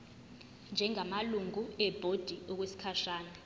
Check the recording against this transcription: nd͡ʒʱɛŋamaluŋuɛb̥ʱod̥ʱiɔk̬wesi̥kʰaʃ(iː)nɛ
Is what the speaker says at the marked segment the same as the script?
no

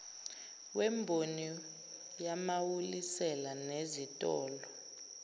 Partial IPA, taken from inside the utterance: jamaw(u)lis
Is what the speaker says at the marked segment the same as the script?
yes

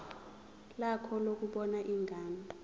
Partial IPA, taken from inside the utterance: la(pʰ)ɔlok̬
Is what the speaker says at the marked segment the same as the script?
no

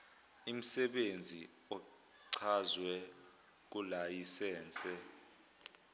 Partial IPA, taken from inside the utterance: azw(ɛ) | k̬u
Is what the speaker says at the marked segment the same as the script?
yes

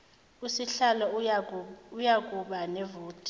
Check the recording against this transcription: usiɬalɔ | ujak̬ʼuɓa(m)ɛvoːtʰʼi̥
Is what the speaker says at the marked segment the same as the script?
no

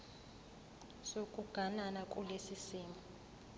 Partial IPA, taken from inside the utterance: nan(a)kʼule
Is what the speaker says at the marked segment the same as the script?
yes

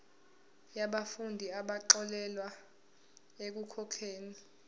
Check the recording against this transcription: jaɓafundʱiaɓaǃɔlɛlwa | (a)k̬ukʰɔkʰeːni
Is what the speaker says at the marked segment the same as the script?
no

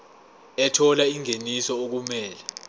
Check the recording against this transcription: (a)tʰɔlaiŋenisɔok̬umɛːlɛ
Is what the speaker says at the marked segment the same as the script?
no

